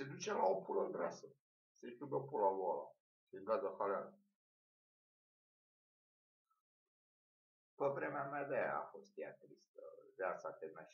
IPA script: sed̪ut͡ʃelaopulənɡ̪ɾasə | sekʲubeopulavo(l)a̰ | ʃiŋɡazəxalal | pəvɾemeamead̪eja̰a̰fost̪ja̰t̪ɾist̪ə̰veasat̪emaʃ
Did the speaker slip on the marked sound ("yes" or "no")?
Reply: no